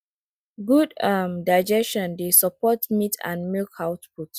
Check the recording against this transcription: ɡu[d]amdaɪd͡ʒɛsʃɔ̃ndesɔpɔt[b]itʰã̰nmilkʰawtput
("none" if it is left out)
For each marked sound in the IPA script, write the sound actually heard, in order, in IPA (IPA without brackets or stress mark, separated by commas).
d, m